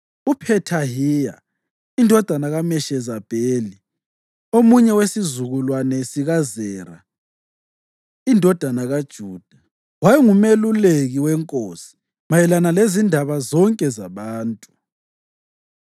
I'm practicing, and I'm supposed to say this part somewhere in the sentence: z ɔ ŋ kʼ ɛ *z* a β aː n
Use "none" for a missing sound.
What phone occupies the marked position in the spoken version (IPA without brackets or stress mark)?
z